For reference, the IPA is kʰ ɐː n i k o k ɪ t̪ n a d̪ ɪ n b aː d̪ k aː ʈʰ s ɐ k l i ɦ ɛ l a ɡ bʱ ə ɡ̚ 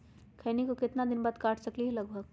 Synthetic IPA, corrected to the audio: kʰ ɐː n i k o k ɪ t̪ n a d̪ ɪ n b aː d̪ k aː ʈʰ s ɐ k l i ɦ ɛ l ɐ ɡ bʱ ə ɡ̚